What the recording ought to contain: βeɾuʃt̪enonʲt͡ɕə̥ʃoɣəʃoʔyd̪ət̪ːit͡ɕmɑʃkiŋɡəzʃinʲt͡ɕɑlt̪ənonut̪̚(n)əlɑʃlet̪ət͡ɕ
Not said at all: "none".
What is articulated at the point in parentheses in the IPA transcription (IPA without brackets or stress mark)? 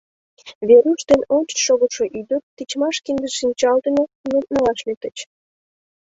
n